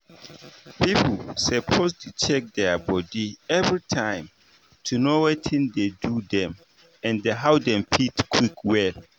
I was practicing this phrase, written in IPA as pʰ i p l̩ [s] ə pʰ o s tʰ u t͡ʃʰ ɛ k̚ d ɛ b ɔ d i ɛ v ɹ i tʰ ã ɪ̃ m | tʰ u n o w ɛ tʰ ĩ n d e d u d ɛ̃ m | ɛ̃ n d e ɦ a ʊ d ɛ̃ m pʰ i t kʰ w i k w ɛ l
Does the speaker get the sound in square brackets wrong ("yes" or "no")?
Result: no